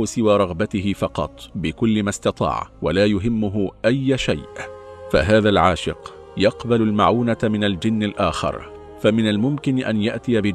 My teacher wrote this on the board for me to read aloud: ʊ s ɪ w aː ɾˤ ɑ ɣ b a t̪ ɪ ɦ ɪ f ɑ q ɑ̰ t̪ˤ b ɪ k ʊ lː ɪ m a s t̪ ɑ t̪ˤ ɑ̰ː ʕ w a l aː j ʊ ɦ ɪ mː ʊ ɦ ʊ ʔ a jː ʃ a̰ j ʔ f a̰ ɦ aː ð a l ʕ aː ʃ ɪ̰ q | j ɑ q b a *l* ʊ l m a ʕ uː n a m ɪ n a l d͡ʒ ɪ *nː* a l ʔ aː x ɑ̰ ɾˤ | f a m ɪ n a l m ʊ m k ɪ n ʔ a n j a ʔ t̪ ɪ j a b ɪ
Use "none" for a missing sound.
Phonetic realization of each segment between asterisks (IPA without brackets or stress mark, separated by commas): l, nː